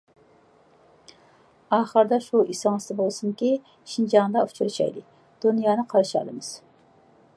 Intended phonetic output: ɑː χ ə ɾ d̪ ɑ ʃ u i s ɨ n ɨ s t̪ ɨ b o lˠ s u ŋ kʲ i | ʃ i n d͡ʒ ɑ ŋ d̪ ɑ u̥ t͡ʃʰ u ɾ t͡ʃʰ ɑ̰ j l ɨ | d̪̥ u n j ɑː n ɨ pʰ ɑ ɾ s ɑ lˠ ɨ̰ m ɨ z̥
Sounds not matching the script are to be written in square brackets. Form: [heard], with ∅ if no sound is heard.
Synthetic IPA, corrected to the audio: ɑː χ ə ɾ d̪ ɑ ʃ u i s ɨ [ŋ] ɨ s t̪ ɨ b o lˠ s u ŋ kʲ i | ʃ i n d͡ʒ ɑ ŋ d̪ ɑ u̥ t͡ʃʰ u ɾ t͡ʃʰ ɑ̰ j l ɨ | d̪̥ u n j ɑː n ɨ [qʰ] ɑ ɾ [ʃ] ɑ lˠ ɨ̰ m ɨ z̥